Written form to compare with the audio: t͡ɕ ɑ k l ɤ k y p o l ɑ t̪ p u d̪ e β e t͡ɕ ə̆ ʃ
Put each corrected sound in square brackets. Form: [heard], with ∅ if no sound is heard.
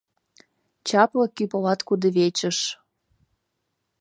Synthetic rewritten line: t͡ɕ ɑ [p] l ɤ k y p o l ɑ t̪ [k] u d̪ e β e t͡ɕ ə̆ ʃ